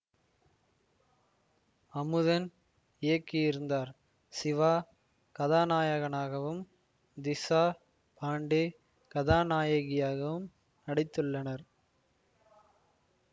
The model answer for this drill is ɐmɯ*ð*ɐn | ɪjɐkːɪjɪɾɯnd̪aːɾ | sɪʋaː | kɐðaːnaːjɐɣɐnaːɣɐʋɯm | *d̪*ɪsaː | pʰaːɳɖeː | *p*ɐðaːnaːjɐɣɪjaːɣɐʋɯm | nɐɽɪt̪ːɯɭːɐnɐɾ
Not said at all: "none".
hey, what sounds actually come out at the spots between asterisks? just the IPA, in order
ð, d̪, k

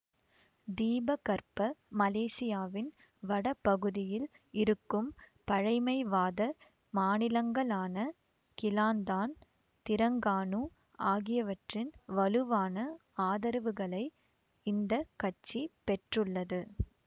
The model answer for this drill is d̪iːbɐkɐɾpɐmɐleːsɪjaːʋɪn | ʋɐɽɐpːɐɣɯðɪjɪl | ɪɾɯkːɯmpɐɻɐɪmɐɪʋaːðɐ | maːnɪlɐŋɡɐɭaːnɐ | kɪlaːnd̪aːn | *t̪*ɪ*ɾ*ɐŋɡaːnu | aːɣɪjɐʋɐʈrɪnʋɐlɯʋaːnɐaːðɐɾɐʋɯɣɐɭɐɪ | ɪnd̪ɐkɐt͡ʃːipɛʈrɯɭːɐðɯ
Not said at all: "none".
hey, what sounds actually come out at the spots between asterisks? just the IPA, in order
t̪, ɾ

